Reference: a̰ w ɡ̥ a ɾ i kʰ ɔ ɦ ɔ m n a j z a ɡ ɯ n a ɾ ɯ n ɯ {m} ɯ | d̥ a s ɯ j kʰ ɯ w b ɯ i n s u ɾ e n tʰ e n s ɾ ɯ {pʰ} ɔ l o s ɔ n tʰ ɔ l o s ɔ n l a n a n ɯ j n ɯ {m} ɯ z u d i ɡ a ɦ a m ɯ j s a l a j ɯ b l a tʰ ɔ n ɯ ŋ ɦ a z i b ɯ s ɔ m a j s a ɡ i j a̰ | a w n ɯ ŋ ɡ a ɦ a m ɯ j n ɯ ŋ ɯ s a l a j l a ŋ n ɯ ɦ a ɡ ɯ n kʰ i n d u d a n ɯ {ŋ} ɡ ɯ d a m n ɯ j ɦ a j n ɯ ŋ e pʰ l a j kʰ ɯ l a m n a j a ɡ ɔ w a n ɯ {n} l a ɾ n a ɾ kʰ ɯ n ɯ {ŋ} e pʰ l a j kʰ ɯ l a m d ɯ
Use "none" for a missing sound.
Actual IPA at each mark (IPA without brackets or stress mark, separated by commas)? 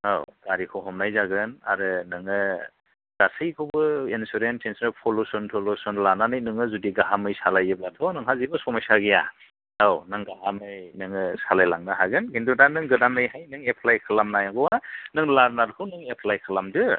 ŋ, pʰ, ŋ, ŋ, ŋ, ŋ